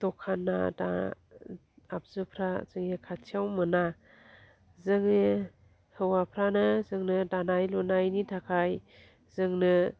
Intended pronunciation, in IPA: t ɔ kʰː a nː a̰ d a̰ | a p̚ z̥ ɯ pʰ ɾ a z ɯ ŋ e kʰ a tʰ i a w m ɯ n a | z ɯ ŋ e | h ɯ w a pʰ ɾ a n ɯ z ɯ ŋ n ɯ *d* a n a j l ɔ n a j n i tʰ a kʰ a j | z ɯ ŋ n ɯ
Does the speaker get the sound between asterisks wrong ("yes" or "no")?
no